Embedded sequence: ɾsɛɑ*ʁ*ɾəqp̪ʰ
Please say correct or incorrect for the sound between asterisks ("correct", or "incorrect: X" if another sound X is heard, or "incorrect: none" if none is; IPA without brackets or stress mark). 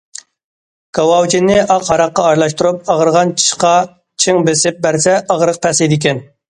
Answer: correct